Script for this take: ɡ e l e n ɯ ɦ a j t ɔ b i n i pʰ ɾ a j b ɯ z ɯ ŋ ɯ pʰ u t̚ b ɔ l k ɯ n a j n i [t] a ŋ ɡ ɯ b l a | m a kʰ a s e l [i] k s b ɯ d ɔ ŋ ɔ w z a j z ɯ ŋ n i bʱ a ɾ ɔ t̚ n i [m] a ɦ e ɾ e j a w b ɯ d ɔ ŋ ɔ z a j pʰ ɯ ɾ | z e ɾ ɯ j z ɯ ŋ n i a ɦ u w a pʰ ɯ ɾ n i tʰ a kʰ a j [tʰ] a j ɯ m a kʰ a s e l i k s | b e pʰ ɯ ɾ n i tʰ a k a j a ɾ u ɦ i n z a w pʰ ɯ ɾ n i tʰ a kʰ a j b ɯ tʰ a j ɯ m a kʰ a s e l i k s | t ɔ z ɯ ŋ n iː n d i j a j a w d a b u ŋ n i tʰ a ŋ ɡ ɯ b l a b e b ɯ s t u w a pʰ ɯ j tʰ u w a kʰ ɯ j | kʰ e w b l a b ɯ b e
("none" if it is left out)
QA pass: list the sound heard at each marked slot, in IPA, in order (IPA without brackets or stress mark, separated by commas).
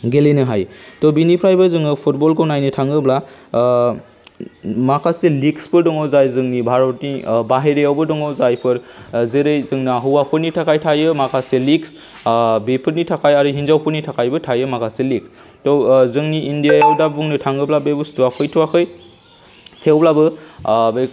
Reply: tʰ, i, b, tʰ